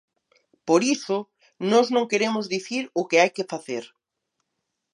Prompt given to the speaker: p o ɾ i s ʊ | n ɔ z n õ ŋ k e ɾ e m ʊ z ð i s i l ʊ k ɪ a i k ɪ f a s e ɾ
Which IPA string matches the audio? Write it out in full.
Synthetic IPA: p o ɾ i s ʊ | n ɔ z n õ ŋ k e ɾ e m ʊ z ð i θ i ɾ ʊ k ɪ a j k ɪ f a θ e ɾ